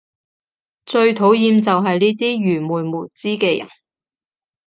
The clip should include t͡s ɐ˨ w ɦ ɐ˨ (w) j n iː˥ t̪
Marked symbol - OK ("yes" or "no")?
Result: no